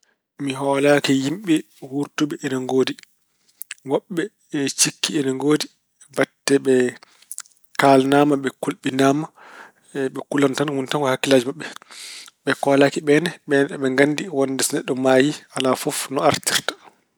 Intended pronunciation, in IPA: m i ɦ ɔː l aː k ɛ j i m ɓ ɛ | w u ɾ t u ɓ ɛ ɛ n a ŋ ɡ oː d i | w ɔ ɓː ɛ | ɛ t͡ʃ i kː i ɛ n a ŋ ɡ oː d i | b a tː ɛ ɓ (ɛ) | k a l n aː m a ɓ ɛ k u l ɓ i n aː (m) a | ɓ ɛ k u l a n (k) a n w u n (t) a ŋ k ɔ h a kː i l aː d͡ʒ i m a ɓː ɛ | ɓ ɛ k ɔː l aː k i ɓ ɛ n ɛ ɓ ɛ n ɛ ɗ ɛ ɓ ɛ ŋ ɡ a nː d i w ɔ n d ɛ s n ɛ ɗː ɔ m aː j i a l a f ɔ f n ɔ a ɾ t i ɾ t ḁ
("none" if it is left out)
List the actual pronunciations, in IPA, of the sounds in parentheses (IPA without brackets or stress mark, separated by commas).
ɛ, m, t, t